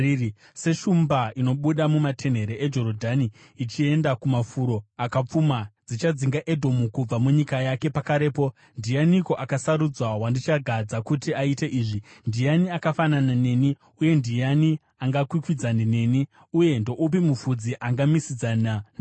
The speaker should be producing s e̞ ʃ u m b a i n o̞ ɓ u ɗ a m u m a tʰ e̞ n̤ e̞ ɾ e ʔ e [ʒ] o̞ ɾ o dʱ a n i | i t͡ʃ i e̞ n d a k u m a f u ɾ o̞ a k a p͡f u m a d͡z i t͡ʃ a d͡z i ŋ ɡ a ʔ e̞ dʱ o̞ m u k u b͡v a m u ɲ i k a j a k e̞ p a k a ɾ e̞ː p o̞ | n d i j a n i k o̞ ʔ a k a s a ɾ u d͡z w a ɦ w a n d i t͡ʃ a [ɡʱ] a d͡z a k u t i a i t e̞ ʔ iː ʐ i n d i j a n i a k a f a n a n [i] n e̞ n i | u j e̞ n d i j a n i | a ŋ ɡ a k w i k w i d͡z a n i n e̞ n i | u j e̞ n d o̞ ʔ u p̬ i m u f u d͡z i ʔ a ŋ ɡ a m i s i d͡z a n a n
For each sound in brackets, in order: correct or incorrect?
incorrect: d͡ʒ, correct, incorrect: a

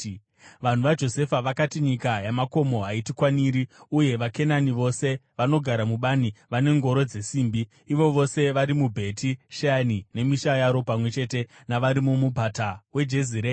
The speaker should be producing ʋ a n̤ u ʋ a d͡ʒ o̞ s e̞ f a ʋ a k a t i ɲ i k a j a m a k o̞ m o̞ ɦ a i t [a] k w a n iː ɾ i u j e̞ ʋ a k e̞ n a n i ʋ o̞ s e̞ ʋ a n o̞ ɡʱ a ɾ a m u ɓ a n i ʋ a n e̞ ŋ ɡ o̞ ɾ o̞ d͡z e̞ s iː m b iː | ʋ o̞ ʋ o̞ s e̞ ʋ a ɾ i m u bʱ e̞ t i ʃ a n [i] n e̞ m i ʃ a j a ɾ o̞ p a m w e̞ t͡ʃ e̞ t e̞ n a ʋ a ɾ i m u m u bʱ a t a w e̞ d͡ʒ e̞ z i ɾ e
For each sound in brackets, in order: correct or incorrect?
incorrect: i, correct

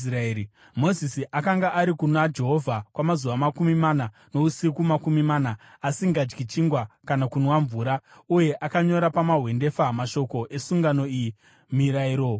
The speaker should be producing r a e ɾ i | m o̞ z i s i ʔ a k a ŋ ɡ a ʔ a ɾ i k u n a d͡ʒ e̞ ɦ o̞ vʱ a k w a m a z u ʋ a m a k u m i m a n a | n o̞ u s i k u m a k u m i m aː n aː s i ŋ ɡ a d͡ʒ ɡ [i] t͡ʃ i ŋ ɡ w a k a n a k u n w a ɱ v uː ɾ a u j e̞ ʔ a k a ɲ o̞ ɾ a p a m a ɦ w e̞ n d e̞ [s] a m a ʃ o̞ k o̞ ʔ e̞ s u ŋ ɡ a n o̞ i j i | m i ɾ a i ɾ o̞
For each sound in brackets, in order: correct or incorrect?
correct, incorrect: f

